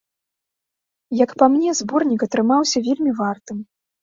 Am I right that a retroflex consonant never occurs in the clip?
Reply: yes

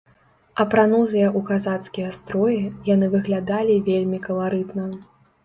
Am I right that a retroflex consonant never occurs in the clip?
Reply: yes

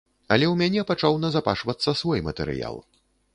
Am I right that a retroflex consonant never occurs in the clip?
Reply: no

